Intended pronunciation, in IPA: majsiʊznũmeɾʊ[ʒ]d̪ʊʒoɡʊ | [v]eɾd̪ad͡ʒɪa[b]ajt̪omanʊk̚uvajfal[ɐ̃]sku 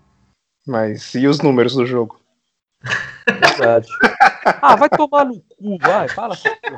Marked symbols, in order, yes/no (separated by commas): no, yes, no, no